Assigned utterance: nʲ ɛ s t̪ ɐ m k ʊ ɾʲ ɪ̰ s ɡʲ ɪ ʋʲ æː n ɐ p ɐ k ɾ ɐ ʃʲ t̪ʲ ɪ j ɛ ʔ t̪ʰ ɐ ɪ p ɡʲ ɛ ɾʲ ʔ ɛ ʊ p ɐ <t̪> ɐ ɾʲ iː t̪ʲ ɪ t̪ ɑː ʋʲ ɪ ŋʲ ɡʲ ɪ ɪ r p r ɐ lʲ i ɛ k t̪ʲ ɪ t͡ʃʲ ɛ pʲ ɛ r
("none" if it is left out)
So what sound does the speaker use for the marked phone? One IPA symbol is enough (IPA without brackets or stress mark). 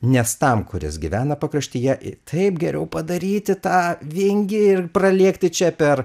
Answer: d̪